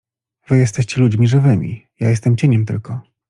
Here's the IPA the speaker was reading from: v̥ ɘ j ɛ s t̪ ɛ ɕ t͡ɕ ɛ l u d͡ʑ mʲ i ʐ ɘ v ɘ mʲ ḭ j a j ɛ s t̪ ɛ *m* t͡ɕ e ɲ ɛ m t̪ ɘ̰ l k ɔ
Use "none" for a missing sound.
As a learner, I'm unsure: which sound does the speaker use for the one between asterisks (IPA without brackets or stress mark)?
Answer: m